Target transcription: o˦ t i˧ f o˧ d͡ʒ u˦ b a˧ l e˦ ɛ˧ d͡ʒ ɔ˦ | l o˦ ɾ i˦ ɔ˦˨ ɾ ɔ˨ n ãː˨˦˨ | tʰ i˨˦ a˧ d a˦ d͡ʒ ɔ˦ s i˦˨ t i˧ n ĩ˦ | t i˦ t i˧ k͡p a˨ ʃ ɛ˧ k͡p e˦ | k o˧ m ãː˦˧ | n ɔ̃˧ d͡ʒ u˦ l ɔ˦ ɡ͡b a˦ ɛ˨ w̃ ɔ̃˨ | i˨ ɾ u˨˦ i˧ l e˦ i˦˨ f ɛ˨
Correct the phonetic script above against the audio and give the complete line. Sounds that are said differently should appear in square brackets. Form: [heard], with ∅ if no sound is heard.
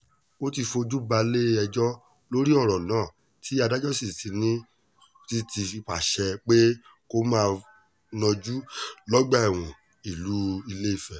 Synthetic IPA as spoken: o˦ t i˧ f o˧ d͡ʒ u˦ b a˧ l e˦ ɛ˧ d͡ʒ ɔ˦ | l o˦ ɾ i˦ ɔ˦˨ ɾ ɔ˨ n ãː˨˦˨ | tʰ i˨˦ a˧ d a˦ d͡ʒ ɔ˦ s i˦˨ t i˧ n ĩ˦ | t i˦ t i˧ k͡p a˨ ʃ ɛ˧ k͡p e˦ | k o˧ m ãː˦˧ | n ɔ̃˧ d͡ʒ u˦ l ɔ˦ ɡ͡b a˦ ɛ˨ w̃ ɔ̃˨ | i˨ [l] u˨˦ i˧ l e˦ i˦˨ f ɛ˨